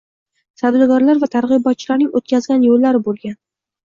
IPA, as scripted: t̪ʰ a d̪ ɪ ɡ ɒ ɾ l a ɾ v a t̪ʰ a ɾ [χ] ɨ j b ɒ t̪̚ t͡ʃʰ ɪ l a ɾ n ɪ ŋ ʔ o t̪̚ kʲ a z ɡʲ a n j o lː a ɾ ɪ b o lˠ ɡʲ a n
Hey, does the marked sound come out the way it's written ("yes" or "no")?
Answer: no